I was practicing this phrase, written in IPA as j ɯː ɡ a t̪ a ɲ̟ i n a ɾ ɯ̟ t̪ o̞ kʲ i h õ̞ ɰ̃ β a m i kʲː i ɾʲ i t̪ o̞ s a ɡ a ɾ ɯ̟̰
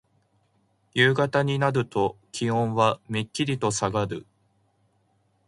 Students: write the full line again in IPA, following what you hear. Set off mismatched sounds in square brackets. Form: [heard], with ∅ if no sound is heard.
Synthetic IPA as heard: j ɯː ɡ a t̪ a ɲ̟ i n a ɾ ɯ̟ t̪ o̞ kʲ i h õ̞ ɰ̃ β a m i kʲː i ɾʲ i t̪ o̞ s a ɡ a ɾ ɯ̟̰

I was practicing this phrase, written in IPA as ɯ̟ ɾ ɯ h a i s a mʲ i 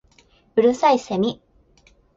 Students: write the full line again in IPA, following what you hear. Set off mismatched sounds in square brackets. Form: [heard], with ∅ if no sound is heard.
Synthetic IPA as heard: ɯ̟ ɾ ɯ [s] a i s [e] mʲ i

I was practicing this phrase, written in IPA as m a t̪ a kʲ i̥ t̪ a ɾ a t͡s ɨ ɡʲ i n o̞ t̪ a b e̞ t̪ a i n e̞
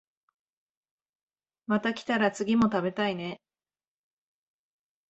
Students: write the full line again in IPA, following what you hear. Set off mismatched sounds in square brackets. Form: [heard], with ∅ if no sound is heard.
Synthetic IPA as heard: m a t̪ a kʲ i̥ t̪ a ɾ a t͡s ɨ ɡʲ i [m] o̞ t̪ a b e̞ t̪ a i n e̞

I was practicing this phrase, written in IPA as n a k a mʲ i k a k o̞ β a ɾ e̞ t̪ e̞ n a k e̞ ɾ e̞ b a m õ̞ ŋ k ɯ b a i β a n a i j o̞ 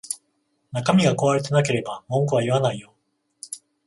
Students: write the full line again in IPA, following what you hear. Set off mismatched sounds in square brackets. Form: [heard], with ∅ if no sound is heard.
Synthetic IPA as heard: n a k a mʲ i [ɡ] a k o̞ β a ɾ e̞ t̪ e̞ n a k e̞ ɾ e̞ b a m õ̞ ŋ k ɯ [β] a i β a n a i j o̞

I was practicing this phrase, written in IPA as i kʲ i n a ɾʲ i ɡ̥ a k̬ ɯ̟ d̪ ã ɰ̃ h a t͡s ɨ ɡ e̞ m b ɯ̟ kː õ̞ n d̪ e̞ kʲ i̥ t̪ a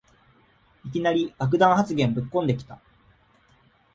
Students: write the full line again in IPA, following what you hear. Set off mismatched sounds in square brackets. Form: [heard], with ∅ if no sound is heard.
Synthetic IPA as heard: i kʲ i n a ɾʲ i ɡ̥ a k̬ ɯ̟ d̪ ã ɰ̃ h a t͡s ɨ ɡ [ẽ̞] m b ɯ̟ kː õ̞ n d̪ e̞ kʲ i̥ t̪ a

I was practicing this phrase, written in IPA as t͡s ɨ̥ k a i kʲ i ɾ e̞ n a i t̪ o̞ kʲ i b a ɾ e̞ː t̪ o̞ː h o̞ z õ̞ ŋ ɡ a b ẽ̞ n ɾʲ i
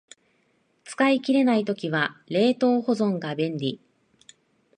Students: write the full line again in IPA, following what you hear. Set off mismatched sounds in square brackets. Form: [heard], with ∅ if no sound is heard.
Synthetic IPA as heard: t͡s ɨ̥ k a i kʲ i ɾ e̞ n a i t̪ o̞ kʲ i [β] a ɾ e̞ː t̪ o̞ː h o̞ z õ̞ ŋ ɡ a b ẽ̞ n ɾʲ i

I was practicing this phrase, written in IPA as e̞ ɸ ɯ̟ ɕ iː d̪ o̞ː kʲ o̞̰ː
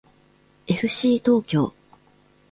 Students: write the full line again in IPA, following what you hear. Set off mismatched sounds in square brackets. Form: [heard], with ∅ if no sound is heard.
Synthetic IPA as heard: e̞ ɸ ɯ̟ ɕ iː [t̪] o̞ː kʲ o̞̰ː

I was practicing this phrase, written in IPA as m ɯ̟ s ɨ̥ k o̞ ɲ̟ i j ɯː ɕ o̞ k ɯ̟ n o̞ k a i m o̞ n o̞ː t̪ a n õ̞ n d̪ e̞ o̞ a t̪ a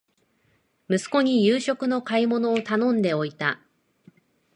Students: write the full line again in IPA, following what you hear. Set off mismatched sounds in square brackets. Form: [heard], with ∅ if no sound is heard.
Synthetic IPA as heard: m ɯ̟ s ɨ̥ k o̞ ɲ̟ i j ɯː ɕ o̞ k ɯ̟ n o̞ k a i m o̞ n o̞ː t̪ a n õ̞ n d̪ e̞ o̞ [i] t̪ a

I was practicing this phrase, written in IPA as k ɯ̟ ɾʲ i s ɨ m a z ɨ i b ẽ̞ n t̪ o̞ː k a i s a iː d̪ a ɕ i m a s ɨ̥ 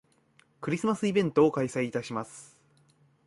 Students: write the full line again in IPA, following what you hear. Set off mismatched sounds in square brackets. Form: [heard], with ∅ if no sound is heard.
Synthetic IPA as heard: k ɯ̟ ɾʲ i s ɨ m a [s] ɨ i b ẽ̞ n t̪ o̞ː k a i s a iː [t̪] a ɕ i m a s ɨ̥

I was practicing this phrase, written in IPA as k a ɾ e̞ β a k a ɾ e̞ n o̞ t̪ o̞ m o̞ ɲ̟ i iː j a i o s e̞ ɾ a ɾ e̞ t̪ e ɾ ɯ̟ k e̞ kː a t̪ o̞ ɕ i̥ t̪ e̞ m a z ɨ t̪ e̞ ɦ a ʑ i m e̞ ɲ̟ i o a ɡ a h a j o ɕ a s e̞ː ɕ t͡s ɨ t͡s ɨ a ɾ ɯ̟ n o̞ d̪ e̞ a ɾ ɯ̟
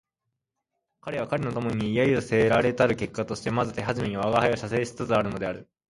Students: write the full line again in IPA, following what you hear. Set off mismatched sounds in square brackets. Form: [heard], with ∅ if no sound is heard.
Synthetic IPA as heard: k a ɾ e̞ β a k a ɾ e̞ n o̞ t̪ o̞ m o̞ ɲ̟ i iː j a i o s e̞ ɾ a ɾ e̞ t̪ [a] ɾ ɯ̟ k e̞ kː a t̪ o̞ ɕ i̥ t̪ e̞ m a z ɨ t̪ e̞ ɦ a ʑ i m e̞ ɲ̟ i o a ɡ a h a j o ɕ a s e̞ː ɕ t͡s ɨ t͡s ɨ a ɾ ɯ̟ n o̞ d̪ e̞ a ɾ ɯ̟

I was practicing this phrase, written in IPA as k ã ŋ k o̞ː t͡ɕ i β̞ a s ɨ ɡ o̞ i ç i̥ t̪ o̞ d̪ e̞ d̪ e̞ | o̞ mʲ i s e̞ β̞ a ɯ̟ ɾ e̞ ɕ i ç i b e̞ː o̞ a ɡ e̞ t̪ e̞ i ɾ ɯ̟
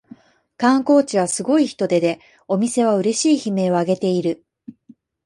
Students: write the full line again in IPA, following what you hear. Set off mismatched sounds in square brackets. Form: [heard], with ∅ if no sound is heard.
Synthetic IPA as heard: k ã ŋ k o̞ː t͡ɕ i β̞ a s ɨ ɡ o̞ i ç i̥ t̪ o̞ d̪ e̞ d̪ e̞ | o̞ mʲ i s e̞ β̞ a ɯ̟ ɾ e̞ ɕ [iː] ç i [m] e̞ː o̞ a ɡ e̞ t̪ e̞ i ɾ ɯ̟

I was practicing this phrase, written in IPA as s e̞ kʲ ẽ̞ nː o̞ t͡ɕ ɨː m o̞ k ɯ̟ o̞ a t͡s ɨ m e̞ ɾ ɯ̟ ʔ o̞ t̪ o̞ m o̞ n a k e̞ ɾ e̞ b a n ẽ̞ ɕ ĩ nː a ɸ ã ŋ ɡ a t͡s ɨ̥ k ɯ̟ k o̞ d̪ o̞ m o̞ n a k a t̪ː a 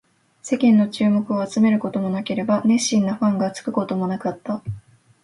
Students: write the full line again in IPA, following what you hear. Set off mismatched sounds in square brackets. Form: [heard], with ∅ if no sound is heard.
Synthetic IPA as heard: s e̞ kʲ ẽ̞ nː o̞ t͡ɕ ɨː m o̞ k ɯ̟ o̞ a t͡s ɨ m e̞ ɾ ɯ̟ [k] o̞ t̪ o̞ m o̞ n a k e̞ ɾ e̞ b a n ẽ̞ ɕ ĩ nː a ɸ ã ŋ ɡ a t͡s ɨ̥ k ɯ̟ k o̞ [t̪] o̞ m o̞ n a k a t̪ː a

